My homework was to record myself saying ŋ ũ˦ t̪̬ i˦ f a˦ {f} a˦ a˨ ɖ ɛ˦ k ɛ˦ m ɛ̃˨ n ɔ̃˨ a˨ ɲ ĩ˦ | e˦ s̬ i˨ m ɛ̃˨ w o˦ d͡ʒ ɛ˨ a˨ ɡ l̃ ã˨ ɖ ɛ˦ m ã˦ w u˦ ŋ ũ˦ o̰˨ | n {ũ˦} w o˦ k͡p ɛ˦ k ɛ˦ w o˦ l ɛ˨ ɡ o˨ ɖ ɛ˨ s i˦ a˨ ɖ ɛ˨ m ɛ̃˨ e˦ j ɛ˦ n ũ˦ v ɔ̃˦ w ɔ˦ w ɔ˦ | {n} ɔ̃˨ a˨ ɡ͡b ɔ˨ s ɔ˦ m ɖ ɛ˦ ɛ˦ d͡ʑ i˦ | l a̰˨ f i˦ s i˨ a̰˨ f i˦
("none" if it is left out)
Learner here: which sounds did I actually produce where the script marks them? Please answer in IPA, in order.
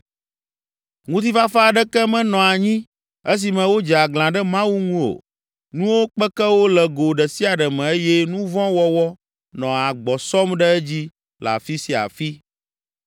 f, ũ˦, n

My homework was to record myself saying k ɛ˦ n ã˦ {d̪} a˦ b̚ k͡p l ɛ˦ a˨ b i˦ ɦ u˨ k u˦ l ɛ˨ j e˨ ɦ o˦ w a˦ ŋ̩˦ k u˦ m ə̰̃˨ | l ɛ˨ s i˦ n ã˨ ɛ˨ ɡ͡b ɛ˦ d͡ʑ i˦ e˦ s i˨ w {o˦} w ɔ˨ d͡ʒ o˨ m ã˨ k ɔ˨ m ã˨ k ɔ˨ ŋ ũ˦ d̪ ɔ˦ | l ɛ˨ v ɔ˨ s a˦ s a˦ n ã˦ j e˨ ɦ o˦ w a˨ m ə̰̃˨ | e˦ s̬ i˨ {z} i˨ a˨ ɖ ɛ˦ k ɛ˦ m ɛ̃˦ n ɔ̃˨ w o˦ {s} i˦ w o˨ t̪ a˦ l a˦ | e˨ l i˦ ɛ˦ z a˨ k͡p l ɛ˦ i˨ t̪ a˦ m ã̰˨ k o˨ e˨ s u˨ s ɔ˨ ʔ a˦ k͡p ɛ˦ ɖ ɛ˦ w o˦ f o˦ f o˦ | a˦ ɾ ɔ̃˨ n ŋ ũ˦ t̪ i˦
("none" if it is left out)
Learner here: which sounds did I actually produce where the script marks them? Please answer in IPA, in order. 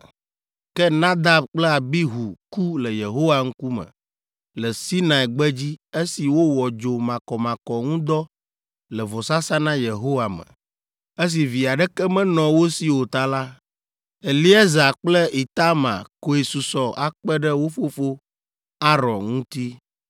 d̪, o˦, v, s

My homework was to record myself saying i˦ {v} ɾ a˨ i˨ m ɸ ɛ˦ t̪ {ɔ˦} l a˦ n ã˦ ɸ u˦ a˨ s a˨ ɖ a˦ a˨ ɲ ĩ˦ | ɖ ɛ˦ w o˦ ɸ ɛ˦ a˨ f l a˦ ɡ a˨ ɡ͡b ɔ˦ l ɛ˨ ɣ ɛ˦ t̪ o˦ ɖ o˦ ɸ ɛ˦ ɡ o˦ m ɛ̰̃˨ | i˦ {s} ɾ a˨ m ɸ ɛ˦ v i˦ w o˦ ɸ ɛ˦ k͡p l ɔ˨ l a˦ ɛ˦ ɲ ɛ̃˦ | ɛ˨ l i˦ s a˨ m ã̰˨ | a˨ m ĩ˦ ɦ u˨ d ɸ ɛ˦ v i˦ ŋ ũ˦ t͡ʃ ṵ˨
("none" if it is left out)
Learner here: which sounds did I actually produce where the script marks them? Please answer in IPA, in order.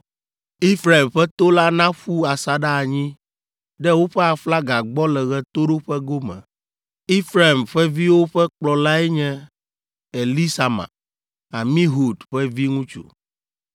f, o˦, f

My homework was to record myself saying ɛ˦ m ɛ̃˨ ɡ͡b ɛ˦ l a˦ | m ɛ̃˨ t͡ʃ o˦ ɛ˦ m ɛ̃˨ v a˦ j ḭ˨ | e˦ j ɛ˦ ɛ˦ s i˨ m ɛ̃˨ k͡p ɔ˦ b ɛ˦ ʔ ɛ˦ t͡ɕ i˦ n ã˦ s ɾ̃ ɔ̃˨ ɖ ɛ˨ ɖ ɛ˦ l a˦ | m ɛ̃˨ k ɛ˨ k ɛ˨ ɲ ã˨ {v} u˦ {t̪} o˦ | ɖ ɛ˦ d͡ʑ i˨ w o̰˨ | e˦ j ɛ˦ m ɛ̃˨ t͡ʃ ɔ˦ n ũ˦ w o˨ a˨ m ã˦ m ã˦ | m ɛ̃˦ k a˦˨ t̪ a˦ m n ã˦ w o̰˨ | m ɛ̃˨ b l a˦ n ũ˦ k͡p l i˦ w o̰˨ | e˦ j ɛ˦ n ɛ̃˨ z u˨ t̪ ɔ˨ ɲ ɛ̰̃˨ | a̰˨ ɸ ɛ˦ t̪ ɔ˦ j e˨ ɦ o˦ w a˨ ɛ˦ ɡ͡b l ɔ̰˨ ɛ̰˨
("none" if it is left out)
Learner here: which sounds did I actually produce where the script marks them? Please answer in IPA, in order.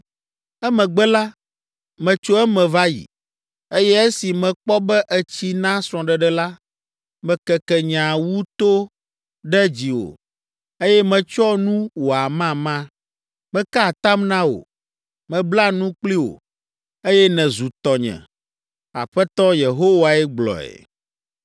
w, t̪

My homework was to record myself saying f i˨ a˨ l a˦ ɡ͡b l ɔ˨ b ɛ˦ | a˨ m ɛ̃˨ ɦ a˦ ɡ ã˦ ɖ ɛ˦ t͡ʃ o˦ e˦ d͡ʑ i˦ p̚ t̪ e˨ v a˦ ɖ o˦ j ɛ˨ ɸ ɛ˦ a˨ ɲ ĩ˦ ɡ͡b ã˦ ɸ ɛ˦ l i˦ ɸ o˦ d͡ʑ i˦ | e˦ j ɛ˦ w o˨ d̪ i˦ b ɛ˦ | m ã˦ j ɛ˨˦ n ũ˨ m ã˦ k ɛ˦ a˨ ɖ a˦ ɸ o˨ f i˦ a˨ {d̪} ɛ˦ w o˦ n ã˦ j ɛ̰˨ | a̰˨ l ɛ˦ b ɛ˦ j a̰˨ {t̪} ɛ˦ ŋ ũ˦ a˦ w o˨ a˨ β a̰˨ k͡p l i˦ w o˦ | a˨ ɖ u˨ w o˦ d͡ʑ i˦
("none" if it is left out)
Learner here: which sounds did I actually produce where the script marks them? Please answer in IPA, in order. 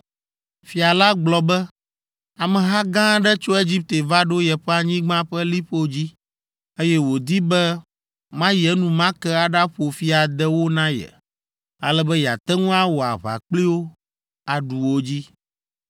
d̪, t̪

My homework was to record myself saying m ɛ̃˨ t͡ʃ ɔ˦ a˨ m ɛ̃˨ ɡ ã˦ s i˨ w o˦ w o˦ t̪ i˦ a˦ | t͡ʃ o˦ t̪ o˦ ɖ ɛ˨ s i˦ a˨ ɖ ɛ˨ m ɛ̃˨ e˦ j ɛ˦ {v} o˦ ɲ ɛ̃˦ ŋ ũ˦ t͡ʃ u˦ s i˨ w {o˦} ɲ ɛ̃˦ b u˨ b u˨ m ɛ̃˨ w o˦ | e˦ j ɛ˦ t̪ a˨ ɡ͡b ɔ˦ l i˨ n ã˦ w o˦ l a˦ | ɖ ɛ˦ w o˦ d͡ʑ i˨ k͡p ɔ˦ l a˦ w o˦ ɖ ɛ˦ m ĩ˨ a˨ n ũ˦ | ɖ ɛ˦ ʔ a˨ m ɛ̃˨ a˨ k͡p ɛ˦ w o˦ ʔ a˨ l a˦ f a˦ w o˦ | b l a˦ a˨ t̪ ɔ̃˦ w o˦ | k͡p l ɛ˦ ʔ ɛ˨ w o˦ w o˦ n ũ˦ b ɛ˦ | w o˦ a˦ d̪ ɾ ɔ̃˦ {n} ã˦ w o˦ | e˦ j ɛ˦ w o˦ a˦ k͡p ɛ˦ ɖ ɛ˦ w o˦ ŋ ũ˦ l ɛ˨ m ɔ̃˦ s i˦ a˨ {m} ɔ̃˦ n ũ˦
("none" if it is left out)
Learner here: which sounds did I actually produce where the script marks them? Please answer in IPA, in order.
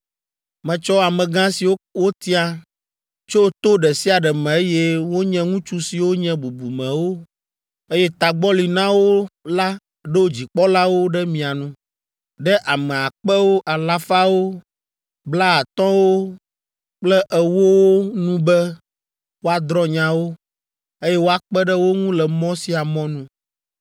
w, o˦, ɲ, m

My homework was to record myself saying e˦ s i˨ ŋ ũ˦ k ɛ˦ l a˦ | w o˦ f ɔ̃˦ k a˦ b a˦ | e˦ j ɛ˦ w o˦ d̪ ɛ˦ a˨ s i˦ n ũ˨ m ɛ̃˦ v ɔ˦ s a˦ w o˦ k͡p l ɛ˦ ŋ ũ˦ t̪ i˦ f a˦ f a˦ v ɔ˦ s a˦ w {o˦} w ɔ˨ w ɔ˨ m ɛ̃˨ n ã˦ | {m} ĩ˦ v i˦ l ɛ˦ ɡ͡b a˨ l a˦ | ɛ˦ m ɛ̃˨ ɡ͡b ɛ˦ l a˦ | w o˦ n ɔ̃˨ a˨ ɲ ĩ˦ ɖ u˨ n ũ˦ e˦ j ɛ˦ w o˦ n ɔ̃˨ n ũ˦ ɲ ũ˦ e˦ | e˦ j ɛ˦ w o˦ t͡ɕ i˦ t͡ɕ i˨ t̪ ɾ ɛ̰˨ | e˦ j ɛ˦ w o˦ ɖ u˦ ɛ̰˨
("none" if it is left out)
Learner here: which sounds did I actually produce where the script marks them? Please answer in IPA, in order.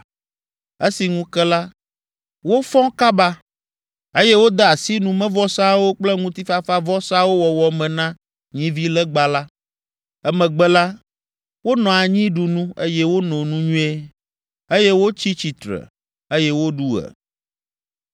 o˦, ɲ

